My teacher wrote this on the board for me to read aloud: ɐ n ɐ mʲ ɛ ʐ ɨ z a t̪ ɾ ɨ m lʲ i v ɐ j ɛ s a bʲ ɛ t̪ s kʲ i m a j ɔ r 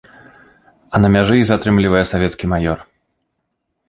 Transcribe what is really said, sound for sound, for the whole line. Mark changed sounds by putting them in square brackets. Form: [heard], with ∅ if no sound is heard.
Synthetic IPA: ɐ n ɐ mʲ [a] ʐ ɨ z a t̪ ɾ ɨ m lʲ i v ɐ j ɛ s a [vʲ] ɛ t̪ s kʲ i m a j ɔ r